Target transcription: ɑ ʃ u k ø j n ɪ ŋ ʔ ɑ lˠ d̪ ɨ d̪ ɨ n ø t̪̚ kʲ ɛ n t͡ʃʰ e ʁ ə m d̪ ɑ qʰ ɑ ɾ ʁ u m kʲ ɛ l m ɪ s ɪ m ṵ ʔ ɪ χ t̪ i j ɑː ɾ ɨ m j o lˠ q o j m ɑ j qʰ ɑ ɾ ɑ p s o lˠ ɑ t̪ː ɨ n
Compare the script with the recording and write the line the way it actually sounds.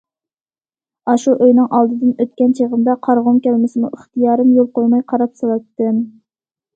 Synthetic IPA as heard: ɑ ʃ u ʔ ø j n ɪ ŋ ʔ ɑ lˠ d̪ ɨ d̪ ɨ n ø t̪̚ kʲ ɛ n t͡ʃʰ e ʁ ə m d̪ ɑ qʰ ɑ ɾ ʁ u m kʲ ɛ l m ɪ s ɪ m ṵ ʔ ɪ χ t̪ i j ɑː ɾ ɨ m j o lˠ q o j m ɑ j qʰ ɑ ɾ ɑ p s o lˠ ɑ t̪ː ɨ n